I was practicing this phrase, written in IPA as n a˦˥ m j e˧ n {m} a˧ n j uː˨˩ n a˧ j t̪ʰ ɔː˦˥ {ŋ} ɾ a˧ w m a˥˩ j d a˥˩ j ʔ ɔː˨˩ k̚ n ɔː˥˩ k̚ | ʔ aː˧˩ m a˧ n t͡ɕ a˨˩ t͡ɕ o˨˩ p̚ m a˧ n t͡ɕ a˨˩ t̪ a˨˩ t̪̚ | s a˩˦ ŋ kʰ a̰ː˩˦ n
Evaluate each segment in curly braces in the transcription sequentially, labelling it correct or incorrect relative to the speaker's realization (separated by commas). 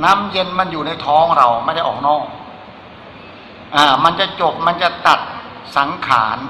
correct, correct